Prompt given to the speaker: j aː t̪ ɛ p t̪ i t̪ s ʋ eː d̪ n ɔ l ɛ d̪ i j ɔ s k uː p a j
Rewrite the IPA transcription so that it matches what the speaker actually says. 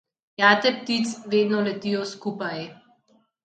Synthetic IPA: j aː t̪ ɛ p t̪ i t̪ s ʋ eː d̪ n ɔ l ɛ t̪ i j ɔ s k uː p a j